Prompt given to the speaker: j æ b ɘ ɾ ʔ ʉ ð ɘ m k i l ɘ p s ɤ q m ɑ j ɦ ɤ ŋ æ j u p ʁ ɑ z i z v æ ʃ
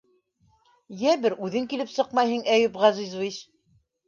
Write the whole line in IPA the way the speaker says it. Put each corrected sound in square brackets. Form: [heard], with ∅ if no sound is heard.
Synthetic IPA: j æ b ɘ ɾ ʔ ʉ ð ɘ [ŋ] k i l ɘ p s ɤ q m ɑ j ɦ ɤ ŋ æ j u p ʁ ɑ z i z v [i] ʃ